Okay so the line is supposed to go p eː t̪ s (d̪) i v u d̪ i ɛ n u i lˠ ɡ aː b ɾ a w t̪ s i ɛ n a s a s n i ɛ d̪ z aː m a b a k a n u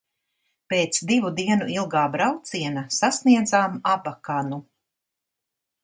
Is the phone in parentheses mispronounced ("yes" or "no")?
no